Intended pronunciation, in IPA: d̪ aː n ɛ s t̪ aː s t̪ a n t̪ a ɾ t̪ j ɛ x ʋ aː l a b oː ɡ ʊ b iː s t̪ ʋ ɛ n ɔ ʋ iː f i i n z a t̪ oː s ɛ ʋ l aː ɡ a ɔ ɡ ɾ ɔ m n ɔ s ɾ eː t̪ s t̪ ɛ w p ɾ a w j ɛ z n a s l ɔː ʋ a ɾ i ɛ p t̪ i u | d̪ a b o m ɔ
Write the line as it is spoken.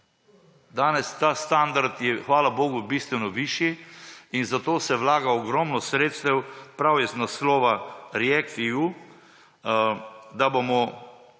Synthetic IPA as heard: d̪ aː n ɛ s t̪ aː s t̪ a n d̪ a ɾ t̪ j ɛ x ʋ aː l a b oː ɡ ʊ b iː s t̪ ʋ ɛ n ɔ ʋ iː ʃ i i n z a t̪ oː s ɛ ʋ l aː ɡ a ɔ ɡ ɾ ɔ m n ɔ s ɾ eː t̪ s t̪ ɛ w p ɾ a w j ɛ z n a s l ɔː ʋ a ɾ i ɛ k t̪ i u | d̪ a b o m ɔ

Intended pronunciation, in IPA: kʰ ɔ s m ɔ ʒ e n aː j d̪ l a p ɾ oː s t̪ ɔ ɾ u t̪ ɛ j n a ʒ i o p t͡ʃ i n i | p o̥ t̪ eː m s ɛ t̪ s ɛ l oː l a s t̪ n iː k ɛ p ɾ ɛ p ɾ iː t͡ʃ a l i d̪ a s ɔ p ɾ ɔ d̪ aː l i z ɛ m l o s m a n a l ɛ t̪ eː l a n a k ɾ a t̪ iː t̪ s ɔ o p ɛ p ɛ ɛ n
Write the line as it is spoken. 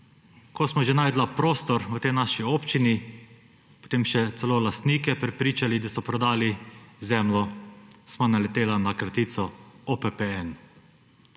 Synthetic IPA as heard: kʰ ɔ s m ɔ ʒ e n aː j d̪ l a p ɾ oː s t̪ ɔ ɾ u t̪ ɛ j n a ʃ i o p t͡ʃ i n i | p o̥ t̪ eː m ʃ ɛ t̪ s ɛ l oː l a s t̪ n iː k ɛ p ɾ ɛ p ɾ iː t͡ʃ a l i d̪ a s ɔ p ɾ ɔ d̪ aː l i z ɛ m l ɔ s m a n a l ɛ t̪ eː l a n a k ɾ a t̪ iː t̪ s ɔ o p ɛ p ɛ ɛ n

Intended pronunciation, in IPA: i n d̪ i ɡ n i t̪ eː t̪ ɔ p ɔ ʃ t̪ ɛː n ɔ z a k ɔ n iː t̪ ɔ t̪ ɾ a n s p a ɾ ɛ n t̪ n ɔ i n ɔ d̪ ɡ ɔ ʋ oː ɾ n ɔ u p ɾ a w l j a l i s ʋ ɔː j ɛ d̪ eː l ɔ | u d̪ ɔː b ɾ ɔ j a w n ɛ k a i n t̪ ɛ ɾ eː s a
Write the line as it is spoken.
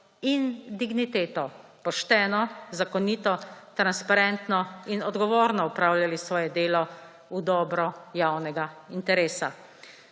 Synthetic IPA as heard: i n d̪ i ɡ n i t̪ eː t̪ ɔ p ɔ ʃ t̪ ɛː n ɔ z a k ɔ n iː t̪ ɔ t̪ ɾ a n s p a ɾ ɛ n t̪ n ɔ i n ɔ d̪ ɡ ɔ ʋ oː ɾ n ɔ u p ɾ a w l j a l i s ʋ ɔː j ɛ d̪ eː l ɔ | u d̪ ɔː b ɾ ɔ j a w n ɛ ɡ a i n t̪ ɛ ɾ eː s a

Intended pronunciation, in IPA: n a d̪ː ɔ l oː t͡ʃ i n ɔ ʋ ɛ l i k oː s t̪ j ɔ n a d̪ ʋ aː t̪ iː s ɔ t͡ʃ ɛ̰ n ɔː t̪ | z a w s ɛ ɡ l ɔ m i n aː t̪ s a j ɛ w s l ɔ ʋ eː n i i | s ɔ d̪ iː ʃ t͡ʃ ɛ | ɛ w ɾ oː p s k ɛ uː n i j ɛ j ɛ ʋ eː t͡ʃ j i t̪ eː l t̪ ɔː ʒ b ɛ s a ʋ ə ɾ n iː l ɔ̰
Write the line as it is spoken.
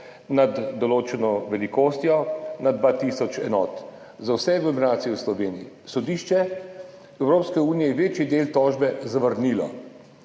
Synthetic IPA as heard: n a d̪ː ɔ l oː t͡ʃ ɛ n ɔ ʋ ɛ l i k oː s t̪ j ɔ n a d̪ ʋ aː t̪ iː s ɔ t͡ʃ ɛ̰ n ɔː t̪ | z a w s ɛ ɡ l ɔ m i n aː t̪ s i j ɛ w s l ɔ ʋ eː n i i | s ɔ d̪ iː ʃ t͡ʃ ɛ | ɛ w ɾ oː p s k ɛ uː n i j ɛ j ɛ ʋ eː t͡ʃ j i d̪ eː l t̪ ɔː ʒ b ɛ z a ʋ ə ɾ n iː l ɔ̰

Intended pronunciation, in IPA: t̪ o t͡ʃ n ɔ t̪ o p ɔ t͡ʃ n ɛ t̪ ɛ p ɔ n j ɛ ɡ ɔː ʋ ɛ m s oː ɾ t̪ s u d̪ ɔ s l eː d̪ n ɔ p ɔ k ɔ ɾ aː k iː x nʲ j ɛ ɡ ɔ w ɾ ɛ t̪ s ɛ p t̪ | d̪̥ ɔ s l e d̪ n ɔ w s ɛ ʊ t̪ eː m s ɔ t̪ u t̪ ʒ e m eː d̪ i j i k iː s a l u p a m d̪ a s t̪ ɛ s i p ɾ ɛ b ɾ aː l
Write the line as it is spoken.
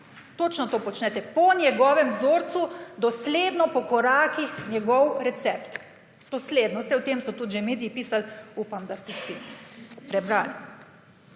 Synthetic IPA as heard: t̪ o t͡ʃ n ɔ t̪ o p ɔ t͡ʃ n ɛ t̪ ɛ p ɔ n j ɛ ɡ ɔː ʋ ɛ m z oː ɾ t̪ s u d̪ ɔ s l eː d̪ n ɔ p ɔ k ɔ ɾ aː k i x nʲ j ɛ ɡ ɔ w ɾ ɛ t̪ s ɛ p t̪ | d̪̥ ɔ s l e d̪ n ɔ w s ɛ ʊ t̪ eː m s ɔ t̪ u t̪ ʒ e m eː d̪ i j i p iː s a l u p a m d̪ a s t̪ ɛ s i p ɾ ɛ b ɾ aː l

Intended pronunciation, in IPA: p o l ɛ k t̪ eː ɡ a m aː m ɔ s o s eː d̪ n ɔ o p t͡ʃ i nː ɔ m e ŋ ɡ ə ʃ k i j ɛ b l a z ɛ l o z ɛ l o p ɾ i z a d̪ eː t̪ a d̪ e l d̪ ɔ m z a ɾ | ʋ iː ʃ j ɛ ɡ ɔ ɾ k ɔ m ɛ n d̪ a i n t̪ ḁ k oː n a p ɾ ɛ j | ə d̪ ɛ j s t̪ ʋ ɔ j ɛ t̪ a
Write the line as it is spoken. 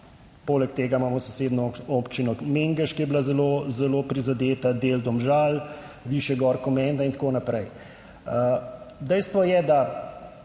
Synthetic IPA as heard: p o l ɛ k t̪ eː ɡ a m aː m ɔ s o s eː d̪ n ɔ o p t͡ʃ i n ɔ m e ŋ ɡ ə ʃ k i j ɛ b l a z ɛ l o z ɛ l o p ɾ i z a d̪ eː t̪ a d̪ e l d̪ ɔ m ʒ a l | ʋ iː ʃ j ɛ ɡ ɔ ɾ k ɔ m ɛ n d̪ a i n t̪ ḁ k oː n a p ɾ ɛ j | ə d̪ ɛ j s t̪ ʋ ɔ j ɛ d̪ a

